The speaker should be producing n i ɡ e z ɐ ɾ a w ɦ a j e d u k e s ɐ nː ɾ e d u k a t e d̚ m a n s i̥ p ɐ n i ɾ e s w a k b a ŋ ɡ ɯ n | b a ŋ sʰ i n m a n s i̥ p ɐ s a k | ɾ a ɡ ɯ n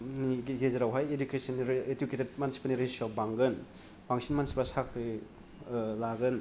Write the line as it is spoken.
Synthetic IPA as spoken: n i ɡ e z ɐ ɾ a w ɦ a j e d u k e s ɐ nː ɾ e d u k e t e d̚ m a n s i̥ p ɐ n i ɾ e s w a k b a ŋ ɡ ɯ n | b a ŋ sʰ i n m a n s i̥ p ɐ s a k | l a ɡ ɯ n